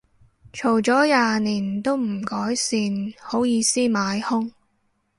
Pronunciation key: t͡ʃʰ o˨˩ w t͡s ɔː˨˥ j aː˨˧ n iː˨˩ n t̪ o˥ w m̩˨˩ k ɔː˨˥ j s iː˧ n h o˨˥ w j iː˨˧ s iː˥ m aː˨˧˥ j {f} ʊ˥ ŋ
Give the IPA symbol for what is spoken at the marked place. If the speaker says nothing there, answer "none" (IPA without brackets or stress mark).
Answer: h